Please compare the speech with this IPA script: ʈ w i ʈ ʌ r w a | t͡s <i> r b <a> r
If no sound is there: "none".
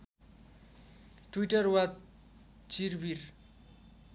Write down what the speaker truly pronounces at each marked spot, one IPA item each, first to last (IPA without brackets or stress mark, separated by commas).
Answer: i, i